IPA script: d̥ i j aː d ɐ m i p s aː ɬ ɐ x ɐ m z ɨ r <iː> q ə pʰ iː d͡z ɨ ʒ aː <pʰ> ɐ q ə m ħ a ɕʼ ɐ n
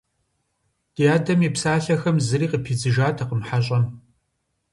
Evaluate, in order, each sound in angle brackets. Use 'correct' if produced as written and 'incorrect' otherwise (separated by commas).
correct, incorrect